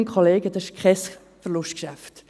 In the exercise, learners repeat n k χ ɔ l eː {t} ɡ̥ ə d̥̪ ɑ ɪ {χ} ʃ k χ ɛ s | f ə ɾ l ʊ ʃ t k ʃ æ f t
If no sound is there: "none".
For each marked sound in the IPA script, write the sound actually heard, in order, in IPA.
none, none

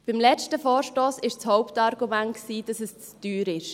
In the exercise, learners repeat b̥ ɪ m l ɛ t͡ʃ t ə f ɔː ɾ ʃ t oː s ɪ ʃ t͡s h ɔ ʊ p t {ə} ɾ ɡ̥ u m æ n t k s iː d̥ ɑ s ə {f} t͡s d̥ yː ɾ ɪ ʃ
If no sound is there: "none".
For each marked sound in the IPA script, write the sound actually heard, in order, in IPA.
ɑ, s

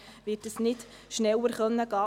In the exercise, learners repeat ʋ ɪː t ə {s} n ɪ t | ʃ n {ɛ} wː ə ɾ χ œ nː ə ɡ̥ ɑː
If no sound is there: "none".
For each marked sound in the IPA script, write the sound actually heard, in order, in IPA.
s, ɛ

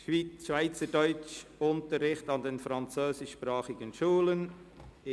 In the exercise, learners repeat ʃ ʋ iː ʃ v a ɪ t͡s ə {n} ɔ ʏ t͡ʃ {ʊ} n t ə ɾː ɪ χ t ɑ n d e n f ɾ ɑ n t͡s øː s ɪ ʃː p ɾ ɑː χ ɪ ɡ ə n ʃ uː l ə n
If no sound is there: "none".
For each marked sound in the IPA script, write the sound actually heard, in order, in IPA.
d, ʊ

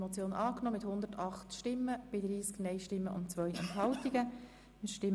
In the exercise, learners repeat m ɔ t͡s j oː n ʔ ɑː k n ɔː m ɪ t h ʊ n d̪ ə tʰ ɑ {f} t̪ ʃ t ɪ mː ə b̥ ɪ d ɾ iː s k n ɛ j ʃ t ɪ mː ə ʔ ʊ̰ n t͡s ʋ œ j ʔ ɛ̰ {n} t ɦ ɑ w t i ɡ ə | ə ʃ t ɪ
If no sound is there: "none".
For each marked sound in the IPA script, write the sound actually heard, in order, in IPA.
χ, n

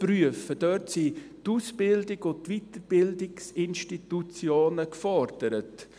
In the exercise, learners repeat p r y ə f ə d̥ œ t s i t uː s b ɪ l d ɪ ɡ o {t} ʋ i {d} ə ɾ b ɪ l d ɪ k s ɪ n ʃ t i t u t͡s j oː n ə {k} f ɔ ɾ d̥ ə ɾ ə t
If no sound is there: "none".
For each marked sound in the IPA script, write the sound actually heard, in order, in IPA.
t, t, k

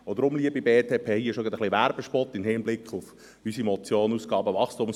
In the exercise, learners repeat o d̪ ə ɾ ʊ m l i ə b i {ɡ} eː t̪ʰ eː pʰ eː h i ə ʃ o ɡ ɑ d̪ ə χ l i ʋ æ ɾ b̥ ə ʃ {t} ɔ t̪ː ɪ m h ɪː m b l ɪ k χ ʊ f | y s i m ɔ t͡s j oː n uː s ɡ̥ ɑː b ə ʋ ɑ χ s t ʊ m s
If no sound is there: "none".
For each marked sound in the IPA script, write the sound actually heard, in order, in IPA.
b, p

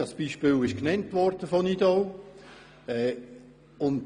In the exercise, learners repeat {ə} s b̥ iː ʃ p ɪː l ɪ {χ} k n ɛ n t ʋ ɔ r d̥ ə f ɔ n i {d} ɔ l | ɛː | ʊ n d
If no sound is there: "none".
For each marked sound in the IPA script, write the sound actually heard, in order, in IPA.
ɑ, ʃ, d

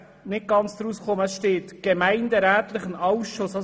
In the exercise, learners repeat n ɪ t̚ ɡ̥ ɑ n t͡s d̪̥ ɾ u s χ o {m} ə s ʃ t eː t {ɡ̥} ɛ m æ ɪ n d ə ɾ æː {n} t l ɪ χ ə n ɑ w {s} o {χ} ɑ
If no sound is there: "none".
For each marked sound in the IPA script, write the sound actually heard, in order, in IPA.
m, ɡ̥, none, ʃ, s

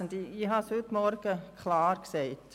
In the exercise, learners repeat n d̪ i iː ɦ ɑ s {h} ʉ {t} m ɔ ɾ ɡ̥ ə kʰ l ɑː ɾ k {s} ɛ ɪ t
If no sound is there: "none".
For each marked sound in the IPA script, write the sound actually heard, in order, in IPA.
h, t, s

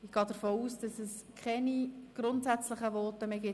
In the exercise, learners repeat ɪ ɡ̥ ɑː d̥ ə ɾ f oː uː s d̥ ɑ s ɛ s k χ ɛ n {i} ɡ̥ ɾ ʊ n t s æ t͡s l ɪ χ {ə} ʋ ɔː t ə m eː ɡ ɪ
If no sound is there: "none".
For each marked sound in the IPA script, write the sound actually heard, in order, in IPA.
i, ə

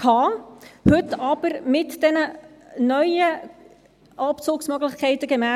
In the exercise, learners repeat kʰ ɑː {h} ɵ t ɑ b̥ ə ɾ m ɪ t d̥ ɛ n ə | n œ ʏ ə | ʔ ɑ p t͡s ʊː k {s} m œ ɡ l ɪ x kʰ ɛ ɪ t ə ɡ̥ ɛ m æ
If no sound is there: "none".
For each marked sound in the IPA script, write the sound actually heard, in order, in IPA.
h, s

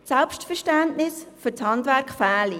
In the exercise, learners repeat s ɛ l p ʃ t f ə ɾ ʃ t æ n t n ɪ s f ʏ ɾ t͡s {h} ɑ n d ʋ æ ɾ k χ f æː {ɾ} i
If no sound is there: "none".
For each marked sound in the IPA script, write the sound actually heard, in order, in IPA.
h, l

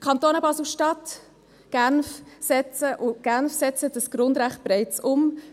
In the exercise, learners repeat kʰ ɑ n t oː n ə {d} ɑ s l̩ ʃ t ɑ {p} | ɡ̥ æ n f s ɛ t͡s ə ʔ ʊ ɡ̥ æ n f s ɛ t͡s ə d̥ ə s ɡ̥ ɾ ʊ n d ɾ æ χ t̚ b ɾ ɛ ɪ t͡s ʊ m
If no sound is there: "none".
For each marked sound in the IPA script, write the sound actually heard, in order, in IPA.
b, t

